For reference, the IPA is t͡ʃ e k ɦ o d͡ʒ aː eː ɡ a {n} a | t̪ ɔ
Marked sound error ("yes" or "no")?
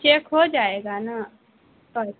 no